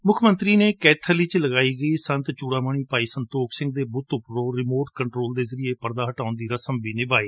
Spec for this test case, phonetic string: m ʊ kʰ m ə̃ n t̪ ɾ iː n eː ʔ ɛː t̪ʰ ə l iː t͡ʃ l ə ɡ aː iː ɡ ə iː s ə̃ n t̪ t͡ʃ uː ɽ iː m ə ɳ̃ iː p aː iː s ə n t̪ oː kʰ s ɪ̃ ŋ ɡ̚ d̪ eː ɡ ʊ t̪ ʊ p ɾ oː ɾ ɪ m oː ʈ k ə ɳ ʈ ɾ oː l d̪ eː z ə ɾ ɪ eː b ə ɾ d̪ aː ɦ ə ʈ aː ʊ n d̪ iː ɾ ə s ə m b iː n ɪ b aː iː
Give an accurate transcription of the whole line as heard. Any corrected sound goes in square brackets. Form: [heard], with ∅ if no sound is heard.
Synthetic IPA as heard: m ʊ kʰ m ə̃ n t̪ ɾ iː n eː [k] ɛː t̪ʰ ə l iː t͡ʃ l ə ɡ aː iː ɡ ə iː s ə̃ n t̪ t͡ʃ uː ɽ [aː] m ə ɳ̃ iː p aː iː s ə n t̪ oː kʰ s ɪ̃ ŋ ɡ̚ d̪ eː [b] ʊ t̪ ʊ p ɾ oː ɾ ɪ m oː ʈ k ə ɳ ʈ ɾ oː l d̪ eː z ə ɾ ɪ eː [p] ə ɾ d̪ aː ɦ ə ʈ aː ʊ n d̪ iː ɾ ə s ə m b iː n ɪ b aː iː

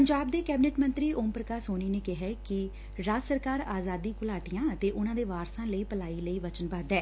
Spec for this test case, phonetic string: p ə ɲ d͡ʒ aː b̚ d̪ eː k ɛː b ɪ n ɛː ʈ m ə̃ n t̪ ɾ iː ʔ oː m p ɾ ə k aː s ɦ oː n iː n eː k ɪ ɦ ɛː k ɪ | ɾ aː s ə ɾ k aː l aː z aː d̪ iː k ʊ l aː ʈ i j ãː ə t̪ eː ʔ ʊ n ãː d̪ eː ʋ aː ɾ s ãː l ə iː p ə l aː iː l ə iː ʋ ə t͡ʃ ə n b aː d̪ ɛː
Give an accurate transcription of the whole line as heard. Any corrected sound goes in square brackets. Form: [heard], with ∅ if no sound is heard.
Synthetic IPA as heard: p ə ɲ d͡ʒ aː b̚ d̪ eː k ɛː b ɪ n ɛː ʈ m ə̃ n t̪ ɾ iː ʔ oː m p ɾ ə k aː s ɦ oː n iː n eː k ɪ ɦ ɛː k ɪ | ɾ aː s ə ɾ k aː [ɾ] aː z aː d̪ iː k ʊ l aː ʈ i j ãː ə t̪ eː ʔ ʊ n ãː d̪ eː ʋ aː ɾ s ãː l ə iː p ə l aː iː l ə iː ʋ ə t͡ʃ ə n b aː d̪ ɛː

